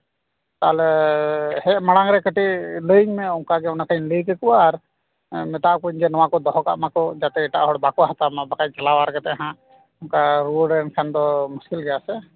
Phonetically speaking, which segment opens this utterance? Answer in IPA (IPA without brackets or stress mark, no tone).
t̪